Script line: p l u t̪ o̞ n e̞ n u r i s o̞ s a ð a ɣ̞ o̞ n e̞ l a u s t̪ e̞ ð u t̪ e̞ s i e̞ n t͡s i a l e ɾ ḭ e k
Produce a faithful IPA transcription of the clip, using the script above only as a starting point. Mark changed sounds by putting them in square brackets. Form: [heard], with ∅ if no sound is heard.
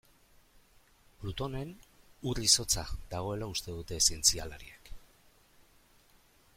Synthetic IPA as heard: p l u t̪ o̞ n e̞ n u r i s o̞ [t͡s] a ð a ɣ̞ o̞ [∅] e̞ l a u s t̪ e̞ ð u t̪ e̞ s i e̞ n t͡s i a l [a] ɾ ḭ e k

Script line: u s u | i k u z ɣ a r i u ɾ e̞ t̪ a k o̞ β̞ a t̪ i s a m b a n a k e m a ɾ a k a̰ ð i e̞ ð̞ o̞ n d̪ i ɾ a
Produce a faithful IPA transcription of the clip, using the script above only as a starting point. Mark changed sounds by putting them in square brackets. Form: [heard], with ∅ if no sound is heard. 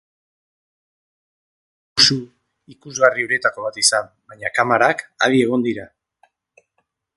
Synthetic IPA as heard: u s u | i k u z ɣ a r i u ɾ e̞ t̪ a k o̞ β̞ a t̪ i s a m b a [ɲ] a k [a] m a ɾ a k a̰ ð i e̞ [ɣ̞] o̞ n d̪ i ɾ a

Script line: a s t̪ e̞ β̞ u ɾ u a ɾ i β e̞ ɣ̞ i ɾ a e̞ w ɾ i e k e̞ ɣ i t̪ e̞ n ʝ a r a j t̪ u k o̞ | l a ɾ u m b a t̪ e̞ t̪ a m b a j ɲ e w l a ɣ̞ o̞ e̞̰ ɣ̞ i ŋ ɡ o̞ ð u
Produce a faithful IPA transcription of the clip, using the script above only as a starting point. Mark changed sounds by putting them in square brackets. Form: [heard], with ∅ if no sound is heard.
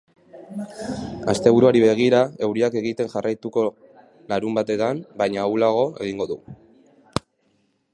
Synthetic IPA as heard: a s t̪ e̞ β̞ u ɾ u a ɾ i β e̞ ɣ̞ i ɾ a e̞ w ɾ i [a] k e̞ ɣ i t̪ e̞ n ʝ a r a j t̪ u k o̞ | l a ɾ u m b a t̪ e̞ t̪ a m b a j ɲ [a] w l a ɣ̞ o̞ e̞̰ ɣ̞ i ŋ ɡ o̞ ð u

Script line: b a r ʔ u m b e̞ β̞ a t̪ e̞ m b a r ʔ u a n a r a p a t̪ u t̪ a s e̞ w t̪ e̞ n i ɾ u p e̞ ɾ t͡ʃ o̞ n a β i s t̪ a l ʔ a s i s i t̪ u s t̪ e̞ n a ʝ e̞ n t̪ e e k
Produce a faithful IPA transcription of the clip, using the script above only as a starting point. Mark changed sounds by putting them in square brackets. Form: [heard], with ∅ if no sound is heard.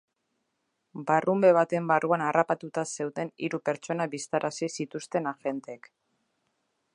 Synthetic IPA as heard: b a r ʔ u m b e̞ β̞ a t̪ e̞ m b a r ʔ u a n a r a p a t̪ u t̪ a s e̞ w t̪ e̞ n i ɾ u p e̞ ɾ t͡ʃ o̞ n a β i s t̪ a [ɾ] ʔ a s i s i t̪ u s t̪ e̞ n a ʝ e̞ n t̪ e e k

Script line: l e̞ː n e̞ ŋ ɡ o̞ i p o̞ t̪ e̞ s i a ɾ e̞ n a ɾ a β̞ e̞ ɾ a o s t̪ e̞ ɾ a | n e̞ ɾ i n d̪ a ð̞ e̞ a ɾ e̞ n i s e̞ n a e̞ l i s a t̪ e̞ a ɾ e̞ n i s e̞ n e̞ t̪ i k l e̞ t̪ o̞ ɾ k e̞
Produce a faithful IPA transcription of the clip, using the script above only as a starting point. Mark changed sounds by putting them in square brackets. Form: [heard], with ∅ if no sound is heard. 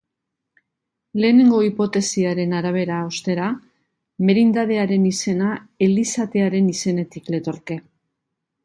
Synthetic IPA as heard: l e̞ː n e̞ ŋ ɡ o̞ i p o̞ t̪ e̞ s i a ɾ e̞ n a ɾ a β̞ e̞ ɾ a o s t̪ e̞ ɾ a | [m] e̞ ɾ i n d̪ a ð̞ e̞ a ɾ e̞ n i s e̞ n a e̞ l i s a t̪ e̞ a ɾ e̞ n i s e̞ n e̞ t̪ i k l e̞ t̪ o̞ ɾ k e̞

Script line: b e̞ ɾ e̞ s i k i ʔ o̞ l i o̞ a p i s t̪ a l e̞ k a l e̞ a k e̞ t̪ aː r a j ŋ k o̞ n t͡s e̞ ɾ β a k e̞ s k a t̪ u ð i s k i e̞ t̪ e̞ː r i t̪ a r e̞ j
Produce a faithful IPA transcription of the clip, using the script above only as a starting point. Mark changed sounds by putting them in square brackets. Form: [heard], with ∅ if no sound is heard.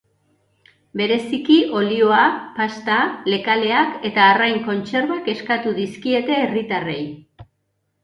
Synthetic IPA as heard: b e̞ ɾ e̞ s i k i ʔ o̞ l i o̞ a p [a] s t̪ a l e̞ k a l e̞ a k e̞ t̪ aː r a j ŋ k o̞ n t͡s e̞ ɾ β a k e̞ s k a t̪ u ð i s k i e̞ t̪ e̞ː r i t̪ a r e̞ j

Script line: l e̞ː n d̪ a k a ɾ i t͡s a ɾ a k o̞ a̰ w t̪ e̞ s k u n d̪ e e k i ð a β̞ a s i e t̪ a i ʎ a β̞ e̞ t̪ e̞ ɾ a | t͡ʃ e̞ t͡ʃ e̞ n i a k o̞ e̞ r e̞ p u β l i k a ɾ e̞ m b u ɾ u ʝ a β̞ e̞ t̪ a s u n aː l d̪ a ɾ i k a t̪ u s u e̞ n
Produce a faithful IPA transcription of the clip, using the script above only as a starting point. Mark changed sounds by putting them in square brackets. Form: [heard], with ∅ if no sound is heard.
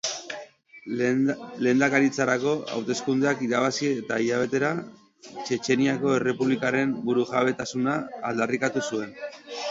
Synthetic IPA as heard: l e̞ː n d̪ a k a ɾ i t͡s a ɾ a k o̞ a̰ w t̪ e̞ s k u n d̪ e [a] k i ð a β̞ a s i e t̪ a i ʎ a β̞ e̞ t̪ e̞ ɾ a | t͡ʃ e̞ t͡ʃ e̞ n i a k o̞ e̞ r e̞ p u β l i k a ɾ e̞ m b u ɾ u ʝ a β̞ e̞ t̪ a s u n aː l d̪ a [r] i k a t̪ u s u e̞ n

